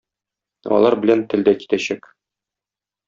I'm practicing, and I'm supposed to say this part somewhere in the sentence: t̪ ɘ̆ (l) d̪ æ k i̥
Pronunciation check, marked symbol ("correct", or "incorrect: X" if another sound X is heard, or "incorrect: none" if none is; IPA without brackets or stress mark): correct